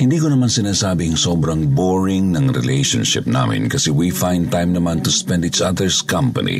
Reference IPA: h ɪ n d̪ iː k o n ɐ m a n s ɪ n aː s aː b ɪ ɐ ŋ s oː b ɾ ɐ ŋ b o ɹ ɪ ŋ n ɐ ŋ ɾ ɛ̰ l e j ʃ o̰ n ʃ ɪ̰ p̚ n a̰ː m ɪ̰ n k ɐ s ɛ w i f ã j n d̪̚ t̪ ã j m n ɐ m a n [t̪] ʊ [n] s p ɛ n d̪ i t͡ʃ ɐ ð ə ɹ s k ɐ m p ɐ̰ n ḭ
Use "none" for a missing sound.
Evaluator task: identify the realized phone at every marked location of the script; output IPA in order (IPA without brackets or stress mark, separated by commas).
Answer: t̪, none